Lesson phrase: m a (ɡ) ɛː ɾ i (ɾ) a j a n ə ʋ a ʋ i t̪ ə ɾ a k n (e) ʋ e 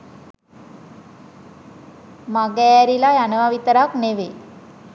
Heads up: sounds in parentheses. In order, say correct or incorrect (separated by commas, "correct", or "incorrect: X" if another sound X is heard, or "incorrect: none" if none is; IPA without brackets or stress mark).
correct, incorrect: l, correct